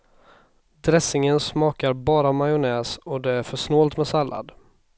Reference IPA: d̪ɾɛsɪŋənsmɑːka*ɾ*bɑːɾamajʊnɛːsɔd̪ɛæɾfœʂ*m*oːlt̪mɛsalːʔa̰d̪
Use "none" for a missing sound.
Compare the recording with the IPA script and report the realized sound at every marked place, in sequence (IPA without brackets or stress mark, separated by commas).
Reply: ɾ, n